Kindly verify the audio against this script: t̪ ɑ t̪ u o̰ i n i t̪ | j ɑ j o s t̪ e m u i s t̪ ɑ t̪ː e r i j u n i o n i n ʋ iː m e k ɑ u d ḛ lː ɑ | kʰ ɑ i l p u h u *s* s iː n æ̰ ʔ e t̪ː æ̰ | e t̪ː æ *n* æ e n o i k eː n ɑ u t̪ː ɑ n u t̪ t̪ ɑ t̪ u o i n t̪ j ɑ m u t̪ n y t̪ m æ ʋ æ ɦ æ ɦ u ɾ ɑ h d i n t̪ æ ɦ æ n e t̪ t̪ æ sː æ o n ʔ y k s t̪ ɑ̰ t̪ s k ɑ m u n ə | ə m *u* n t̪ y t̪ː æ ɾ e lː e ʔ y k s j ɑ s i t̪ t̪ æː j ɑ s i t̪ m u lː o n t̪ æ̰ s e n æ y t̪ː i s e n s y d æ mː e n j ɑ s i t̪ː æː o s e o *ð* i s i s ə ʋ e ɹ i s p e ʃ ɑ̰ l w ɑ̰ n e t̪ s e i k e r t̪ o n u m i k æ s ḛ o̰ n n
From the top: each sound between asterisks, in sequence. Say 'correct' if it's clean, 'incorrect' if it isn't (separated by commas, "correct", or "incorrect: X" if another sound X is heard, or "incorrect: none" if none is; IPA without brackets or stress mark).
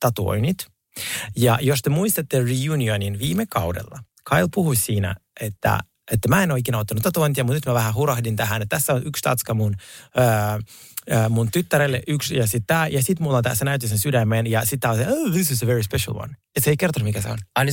correct, incorrect: m, correct, correct